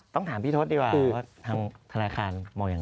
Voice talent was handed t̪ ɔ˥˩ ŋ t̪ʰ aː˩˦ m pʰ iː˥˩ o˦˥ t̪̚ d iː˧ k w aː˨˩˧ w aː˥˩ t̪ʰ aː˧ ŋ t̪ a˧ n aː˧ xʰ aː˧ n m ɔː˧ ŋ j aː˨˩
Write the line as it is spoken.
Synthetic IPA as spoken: t̪ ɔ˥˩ ŋ t̪ʰ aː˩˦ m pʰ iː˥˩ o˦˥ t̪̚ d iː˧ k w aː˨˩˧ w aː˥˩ t̪ʰ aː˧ ŋ t̪ʰ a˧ n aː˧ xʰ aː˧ n m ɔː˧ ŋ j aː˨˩